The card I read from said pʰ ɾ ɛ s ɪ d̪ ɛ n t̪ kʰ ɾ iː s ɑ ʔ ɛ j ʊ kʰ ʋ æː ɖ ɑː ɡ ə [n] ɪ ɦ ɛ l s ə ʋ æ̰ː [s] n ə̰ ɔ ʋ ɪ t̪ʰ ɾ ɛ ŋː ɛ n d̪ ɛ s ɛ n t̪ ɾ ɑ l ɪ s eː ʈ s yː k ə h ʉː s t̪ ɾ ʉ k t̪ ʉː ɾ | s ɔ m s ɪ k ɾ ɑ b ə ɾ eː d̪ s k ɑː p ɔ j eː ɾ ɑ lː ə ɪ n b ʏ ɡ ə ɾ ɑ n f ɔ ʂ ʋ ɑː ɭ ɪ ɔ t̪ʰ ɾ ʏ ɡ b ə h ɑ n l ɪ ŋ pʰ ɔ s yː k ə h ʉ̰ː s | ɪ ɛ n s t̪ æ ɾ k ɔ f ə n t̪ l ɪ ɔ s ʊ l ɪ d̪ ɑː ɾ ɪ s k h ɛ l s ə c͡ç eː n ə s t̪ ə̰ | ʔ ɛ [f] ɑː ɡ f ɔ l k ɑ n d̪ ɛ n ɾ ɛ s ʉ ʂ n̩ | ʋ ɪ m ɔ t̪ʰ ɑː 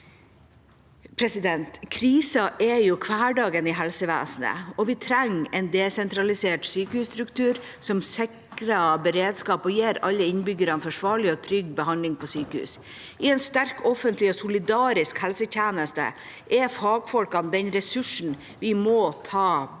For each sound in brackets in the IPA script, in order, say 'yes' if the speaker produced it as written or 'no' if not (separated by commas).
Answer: yes, yes, yes